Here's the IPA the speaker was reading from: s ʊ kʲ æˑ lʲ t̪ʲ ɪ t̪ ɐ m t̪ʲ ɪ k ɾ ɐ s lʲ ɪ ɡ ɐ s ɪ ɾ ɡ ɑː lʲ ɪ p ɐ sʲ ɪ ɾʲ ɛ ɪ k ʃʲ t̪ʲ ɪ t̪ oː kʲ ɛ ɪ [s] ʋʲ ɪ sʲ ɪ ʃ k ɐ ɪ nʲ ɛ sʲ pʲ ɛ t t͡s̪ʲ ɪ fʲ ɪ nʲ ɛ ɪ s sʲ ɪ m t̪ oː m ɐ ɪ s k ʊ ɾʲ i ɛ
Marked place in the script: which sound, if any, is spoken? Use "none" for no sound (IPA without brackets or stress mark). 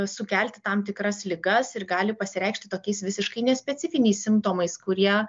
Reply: s